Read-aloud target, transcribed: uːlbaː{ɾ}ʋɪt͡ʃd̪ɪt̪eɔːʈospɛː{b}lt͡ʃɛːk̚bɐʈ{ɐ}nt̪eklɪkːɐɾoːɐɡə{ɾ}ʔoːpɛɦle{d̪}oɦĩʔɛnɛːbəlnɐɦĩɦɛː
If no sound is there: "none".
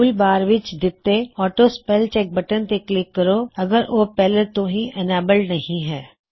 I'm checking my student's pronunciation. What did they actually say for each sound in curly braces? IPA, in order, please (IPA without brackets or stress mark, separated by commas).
ɾ, none, ə, ɾ, t̪